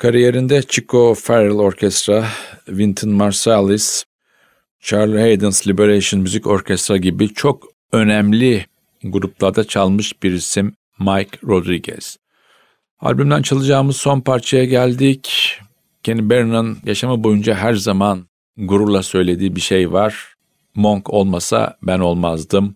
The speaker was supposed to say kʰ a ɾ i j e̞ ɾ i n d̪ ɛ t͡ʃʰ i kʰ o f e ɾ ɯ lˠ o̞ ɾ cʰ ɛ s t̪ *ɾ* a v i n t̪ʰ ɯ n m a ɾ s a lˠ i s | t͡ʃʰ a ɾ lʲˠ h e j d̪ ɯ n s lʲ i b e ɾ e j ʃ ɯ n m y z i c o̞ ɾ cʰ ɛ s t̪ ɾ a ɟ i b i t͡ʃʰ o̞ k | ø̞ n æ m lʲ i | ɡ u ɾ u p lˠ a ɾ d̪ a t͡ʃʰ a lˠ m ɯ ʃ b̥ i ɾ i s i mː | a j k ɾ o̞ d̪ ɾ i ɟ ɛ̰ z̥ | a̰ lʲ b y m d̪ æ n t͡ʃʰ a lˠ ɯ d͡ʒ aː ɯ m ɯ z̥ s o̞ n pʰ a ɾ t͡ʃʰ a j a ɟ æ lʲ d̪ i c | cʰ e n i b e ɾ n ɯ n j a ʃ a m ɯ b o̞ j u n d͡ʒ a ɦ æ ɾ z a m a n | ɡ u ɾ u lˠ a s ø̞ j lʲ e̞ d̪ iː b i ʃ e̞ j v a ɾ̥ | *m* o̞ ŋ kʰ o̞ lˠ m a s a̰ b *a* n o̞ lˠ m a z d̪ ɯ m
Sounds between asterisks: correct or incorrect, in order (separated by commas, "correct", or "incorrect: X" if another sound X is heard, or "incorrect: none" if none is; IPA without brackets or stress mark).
correct, correct, incorrect: æ